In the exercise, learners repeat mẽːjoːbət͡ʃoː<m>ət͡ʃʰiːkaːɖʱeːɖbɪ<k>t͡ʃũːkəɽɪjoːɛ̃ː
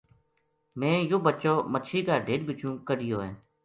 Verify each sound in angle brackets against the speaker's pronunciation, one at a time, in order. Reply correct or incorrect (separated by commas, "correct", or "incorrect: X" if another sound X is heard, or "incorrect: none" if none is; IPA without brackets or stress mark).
correct, incorrect: none